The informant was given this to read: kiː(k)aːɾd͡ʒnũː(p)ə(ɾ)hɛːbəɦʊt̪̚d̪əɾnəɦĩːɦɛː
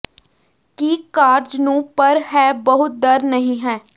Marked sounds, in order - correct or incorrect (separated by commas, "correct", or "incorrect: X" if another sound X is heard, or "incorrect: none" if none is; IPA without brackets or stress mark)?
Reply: correct, correct, correct